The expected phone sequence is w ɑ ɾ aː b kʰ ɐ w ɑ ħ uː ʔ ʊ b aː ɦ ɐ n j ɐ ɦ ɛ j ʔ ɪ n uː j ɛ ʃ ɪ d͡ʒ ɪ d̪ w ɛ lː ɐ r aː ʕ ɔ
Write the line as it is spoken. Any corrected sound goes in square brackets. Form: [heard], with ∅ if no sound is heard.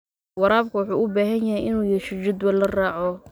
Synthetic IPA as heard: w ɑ ɾ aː b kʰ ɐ w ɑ ħ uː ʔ ʊ b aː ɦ ɐ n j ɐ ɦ ɛ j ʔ ɪ n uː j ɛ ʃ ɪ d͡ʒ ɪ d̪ w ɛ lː ɐ r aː ʕ ɔ